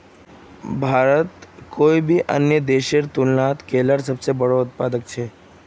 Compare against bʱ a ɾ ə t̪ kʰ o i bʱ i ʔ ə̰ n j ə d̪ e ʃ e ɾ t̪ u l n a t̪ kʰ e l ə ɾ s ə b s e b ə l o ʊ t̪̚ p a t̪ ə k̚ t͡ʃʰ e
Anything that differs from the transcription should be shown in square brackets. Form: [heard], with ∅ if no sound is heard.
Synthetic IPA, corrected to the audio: bʱ a ɾ ə t̪ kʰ o i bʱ i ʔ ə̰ n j ə d̪ e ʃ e ɾ t̪ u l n a t̪ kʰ e l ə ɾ s ə b s e b ə [ɽ] o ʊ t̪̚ p a [d̪] ə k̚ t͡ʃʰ e